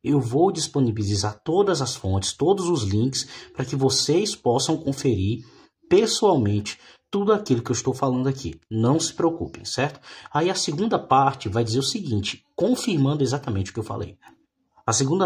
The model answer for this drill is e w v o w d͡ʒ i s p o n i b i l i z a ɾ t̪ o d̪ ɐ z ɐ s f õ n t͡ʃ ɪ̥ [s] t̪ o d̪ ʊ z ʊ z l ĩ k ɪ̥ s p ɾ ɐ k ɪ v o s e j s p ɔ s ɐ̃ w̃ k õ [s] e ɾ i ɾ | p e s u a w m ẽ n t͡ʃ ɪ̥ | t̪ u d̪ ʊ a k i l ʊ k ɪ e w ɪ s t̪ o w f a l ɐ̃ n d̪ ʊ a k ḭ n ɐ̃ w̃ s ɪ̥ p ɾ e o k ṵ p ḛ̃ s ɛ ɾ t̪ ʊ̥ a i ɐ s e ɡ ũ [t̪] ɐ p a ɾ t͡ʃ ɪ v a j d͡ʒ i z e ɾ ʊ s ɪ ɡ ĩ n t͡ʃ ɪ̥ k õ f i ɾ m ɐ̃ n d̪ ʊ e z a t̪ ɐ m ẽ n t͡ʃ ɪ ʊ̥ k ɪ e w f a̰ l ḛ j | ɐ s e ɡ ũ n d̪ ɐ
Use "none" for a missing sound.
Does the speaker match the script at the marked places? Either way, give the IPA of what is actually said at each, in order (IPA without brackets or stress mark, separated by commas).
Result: s, f, d̪